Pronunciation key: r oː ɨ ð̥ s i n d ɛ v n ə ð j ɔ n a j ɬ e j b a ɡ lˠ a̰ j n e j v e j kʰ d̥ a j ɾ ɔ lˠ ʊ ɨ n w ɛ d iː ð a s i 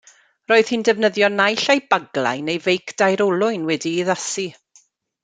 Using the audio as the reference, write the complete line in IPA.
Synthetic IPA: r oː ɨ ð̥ h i n d ɛ v n ə ð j ɔ n a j ɬ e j b a ɡ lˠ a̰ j n e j v e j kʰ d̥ a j ɾ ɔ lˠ ʊ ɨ n w ɛ d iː ð a s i